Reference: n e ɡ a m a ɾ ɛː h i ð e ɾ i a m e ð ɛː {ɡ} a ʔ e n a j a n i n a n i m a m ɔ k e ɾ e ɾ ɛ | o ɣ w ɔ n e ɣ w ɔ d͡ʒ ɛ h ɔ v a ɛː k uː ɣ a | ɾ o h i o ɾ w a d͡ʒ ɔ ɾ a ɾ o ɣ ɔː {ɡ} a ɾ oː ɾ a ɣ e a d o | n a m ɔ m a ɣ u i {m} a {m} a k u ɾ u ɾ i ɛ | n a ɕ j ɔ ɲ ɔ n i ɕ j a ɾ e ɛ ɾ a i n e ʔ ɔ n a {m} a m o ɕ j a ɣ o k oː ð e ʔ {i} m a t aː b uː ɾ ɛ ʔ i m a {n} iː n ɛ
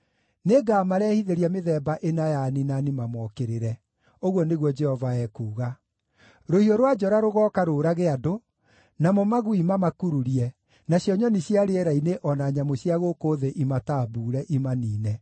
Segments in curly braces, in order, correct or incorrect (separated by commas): incorrect, incorrect, correct, correct, incorrect, correct, correct